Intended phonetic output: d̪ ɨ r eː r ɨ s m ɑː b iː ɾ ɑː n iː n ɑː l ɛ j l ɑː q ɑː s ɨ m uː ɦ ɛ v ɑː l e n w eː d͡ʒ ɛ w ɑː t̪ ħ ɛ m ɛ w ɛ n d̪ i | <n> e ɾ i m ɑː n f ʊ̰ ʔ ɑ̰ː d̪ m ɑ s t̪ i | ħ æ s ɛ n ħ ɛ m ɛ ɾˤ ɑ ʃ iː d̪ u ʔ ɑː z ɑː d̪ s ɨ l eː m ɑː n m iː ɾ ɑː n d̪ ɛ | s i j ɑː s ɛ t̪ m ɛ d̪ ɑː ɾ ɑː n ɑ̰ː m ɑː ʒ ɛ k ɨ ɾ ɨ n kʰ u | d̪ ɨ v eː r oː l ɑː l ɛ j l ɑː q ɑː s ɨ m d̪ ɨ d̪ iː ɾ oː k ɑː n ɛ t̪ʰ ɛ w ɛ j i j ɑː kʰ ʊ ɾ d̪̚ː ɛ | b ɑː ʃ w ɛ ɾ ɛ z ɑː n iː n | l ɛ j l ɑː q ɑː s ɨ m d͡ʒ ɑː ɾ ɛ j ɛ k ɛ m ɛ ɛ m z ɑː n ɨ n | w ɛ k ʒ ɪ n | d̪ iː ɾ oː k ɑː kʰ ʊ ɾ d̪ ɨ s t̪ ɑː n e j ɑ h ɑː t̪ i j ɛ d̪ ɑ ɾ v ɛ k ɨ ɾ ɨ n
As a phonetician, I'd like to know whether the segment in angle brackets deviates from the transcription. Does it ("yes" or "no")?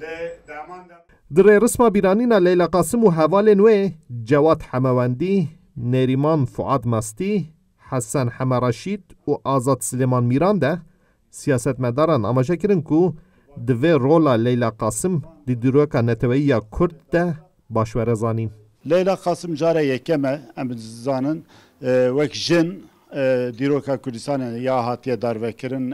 no